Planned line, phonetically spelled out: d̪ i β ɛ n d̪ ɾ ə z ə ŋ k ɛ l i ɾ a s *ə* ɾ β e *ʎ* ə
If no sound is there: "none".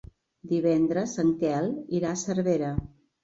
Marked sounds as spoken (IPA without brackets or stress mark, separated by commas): ə, ɾ